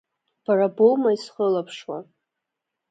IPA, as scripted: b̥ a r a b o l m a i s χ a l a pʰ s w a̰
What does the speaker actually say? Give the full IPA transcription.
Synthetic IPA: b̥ a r a b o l m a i s χ ə l a pʰ ʂ w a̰